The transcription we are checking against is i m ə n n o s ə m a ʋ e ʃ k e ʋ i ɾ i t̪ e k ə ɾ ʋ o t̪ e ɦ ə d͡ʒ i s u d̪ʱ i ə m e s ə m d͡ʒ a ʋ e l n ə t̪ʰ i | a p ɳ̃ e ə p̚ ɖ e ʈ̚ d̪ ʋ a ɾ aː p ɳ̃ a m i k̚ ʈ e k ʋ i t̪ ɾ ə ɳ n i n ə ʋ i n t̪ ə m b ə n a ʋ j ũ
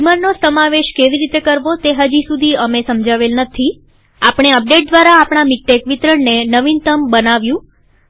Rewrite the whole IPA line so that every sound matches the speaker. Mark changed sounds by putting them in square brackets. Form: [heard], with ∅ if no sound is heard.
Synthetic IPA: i m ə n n o s ə m a ʋ e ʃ k e ʋ i ɾ i t̪ e k ə ɾ ʋ o t̪ e ɦ ə d͡ʒ i s u d̪ʱ i ə m e s ə m d͡ʒ a ʋ e l n ə t̪ʰ i | a p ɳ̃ e ə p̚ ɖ e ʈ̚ d̪ ʋ a ɾ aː p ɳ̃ a m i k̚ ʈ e k ʋ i t̪ ɾ ə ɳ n [e] n ə ʋ i n t̪ ə m b ə n a ʋ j ũ